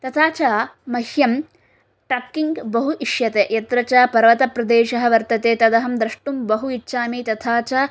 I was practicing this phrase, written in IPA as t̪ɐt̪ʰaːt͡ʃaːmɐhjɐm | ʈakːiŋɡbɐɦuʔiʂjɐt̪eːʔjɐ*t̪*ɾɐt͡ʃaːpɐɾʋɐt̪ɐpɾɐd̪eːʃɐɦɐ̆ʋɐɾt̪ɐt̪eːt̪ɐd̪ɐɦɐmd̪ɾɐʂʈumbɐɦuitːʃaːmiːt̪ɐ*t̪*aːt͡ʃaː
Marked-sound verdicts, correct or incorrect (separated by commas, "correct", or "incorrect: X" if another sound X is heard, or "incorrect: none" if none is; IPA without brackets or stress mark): correct, incorrect: t̪ʰ